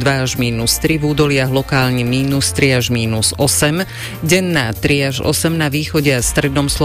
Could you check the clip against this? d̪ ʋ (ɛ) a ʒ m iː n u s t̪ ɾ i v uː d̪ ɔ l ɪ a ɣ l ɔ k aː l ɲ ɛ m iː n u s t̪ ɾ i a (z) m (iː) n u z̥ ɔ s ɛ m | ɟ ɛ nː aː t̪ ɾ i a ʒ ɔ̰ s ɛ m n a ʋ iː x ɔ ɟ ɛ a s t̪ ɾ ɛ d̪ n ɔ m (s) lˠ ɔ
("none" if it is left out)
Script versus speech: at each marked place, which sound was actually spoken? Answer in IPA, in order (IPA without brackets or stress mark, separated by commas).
a, ʒ, iː, s